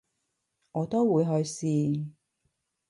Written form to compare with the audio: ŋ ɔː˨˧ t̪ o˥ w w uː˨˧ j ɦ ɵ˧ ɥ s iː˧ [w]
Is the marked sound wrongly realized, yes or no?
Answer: yes